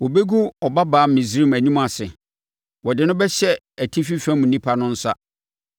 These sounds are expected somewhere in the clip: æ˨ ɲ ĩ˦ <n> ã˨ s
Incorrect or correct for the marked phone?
incorrect: m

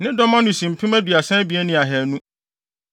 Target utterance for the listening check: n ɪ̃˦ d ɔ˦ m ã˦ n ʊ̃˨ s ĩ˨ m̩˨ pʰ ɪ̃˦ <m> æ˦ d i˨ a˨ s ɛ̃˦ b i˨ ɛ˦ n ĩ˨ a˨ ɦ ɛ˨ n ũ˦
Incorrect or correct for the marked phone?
correct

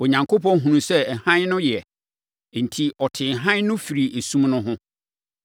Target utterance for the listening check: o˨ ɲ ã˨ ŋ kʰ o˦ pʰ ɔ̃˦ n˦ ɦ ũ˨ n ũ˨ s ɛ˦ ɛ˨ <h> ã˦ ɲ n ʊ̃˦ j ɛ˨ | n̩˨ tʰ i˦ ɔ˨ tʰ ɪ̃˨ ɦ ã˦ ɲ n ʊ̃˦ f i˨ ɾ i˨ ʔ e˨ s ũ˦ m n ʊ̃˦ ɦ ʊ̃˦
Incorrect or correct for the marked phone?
correct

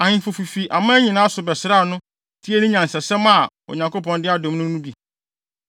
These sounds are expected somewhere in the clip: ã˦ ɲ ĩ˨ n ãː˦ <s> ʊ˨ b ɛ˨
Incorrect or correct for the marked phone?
correct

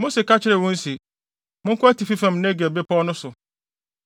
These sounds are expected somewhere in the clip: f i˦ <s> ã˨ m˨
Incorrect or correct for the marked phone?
incorrect: f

